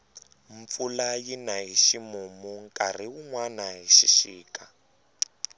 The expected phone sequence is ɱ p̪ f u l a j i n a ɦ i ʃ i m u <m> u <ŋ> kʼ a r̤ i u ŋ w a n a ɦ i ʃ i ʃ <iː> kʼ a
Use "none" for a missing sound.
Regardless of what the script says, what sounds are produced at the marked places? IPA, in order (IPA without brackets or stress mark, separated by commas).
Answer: m, ŋ, iː